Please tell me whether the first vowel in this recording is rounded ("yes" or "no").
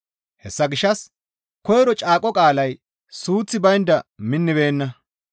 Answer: no